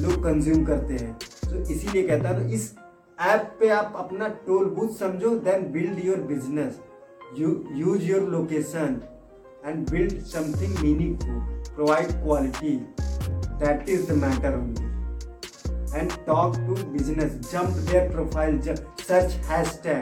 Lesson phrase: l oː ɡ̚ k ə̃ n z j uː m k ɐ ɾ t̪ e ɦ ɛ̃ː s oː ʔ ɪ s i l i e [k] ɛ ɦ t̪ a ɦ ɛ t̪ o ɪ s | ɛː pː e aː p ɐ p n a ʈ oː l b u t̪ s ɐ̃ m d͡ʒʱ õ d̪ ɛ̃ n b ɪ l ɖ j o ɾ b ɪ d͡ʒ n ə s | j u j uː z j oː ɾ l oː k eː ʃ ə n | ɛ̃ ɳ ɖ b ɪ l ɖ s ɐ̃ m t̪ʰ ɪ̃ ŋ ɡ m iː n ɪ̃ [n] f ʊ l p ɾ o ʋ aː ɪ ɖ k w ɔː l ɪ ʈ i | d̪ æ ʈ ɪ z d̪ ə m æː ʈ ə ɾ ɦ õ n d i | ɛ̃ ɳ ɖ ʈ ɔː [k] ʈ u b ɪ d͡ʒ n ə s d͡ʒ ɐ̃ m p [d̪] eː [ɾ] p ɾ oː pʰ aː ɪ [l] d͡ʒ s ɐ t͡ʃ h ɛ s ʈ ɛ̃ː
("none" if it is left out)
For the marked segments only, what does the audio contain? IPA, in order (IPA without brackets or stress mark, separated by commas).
k, ŋ, k, d̪, ɾ, l